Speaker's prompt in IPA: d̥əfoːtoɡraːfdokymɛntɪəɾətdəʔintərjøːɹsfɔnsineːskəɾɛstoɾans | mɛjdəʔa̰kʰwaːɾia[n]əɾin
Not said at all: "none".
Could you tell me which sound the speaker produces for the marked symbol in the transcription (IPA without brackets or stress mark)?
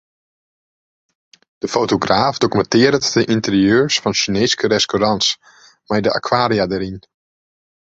d